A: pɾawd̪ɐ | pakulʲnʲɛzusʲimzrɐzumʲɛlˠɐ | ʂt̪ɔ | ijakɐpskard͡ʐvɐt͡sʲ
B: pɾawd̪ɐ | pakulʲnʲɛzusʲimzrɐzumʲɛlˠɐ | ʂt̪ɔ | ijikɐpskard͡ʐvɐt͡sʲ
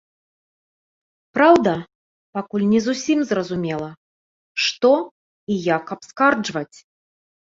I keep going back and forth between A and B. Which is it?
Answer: A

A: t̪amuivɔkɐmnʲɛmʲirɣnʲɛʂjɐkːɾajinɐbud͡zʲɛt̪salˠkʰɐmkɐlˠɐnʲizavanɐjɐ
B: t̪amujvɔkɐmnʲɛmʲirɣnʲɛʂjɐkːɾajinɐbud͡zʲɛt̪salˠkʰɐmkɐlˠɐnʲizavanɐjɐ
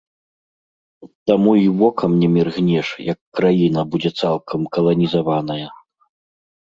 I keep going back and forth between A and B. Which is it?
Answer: A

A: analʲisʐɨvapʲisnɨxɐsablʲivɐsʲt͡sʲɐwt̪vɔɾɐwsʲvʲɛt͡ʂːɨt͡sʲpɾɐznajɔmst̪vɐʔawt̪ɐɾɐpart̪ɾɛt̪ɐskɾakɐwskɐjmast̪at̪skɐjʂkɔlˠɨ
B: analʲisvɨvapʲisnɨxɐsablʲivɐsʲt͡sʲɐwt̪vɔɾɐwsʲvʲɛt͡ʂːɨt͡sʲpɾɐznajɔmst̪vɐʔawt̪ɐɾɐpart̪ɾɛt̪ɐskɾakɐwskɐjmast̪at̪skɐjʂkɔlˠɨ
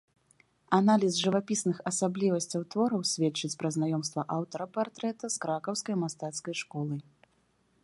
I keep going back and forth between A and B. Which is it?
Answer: A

